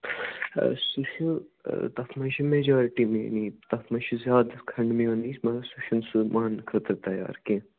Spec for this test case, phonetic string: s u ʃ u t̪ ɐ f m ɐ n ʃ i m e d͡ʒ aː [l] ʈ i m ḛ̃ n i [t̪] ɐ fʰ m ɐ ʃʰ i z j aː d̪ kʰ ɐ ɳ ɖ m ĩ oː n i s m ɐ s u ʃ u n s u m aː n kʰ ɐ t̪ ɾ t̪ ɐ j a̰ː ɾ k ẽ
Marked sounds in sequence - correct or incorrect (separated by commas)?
incorrect, correct